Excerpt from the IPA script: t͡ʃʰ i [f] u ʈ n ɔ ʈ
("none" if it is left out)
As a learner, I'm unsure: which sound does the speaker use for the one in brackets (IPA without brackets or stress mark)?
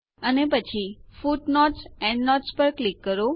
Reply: f